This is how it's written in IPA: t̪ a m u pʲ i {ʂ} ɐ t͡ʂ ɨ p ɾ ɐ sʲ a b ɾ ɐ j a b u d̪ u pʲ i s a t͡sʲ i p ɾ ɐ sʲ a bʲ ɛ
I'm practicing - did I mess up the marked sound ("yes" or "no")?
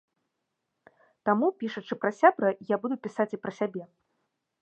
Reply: no